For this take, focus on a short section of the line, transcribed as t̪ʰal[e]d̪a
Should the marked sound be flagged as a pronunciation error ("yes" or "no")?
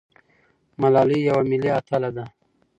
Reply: yes